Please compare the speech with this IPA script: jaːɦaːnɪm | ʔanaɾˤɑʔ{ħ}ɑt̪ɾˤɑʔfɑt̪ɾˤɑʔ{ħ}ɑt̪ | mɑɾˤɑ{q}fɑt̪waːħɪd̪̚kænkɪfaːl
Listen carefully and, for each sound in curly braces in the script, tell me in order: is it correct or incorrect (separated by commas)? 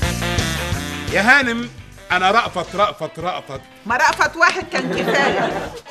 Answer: incorrect, incorrect, incorrect